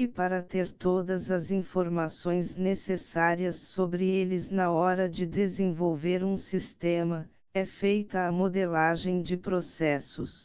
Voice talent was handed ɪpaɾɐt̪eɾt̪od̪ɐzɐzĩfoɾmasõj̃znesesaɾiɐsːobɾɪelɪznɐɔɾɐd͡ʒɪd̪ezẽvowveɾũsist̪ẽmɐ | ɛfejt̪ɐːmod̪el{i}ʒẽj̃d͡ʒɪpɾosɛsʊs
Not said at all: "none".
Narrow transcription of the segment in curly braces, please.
a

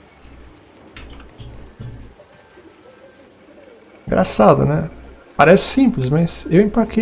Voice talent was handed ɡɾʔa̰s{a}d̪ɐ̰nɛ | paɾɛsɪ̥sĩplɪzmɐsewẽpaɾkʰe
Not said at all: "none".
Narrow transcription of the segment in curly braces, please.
a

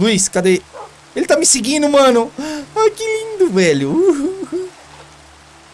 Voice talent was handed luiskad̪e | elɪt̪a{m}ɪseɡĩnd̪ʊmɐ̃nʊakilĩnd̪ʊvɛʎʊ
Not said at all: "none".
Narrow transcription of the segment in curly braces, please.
m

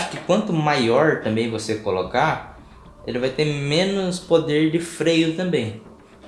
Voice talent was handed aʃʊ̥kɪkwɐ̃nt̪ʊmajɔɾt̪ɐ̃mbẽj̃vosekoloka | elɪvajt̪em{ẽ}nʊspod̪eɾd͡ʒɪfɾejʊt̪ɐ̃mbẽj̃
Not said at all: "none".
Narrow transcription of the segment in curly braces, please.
ẽ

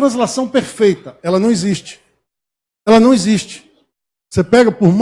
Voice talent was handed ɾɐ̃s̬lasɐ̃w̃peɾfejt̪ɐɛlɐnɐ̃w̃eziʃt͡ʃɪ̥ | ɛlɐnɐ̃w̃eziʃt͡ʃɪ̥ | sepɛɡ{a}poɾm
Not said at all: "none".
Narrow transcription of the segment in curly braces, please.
ɐ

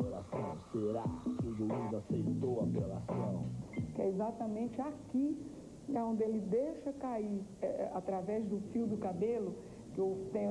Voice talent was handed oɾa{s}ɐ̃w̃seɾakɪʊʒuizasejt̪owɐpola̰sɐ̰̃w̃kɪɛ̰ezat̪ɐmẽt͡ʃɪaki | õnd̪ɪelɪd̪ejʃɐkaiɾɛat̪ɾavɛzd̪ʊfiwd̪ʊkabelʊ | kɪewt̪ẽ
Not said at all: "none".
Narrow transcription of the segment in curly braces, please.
s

